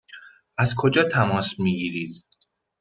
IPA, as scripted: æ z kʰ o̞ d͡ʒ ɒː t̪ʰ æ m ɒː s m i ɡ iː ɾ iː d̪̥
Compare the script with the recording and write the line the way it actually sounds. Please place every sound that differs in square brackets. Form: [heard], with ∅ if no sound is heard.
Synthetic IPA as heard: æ z kʰ o̞ d͡ʒ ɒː t̪ʰ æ m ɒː s m i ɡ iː ɾ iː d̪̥